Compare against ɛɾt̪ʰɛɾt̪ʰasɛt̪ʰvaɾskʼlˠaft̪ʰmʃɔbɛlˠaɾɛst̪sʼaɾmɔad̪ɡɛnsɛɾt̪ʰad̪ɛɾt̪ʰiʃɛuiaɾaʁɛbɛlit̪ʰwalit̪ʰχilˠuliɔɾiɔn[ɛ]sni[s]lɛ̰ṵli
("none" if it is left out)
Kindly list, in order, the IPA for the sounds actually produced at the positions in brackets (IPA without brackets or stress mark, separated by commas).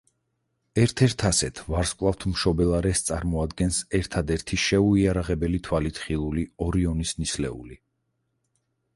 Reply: i, s